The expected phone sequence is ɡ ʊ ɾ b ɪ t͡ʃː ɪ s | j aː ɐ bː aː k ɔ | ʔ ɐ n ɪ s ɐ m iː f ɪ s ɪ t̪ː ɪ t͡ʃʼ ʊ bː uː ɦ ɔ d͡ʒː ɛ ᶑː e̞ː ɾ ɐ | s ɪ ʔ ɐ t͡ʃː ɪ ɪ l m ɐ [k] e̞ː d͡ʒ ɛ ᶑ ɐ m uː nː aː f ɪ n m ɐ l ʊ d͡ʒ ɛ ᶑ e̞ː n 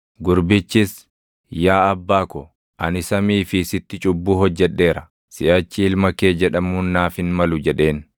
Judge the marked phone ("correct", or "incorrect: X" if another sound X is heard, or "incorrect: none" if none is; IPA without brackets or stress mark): correct